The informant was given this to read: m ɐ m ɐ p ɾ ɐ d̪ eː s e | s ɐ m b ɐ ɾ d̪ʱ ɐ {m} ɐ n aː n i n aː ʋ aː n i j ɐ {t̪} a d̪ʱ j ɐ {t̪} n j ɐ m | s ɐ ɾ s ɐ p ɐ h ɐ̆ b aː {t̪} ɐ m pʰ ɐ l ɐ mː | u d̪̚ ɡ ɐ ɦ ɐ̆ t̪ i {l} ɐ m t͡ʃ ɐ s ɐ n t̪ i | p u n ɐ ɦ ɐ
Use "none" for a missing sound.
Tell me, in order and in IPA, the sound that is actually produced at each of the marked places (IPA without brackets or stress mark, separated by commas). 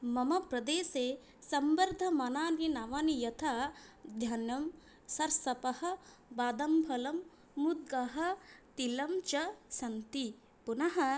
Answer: m, t̪ʰ, none, d̪, l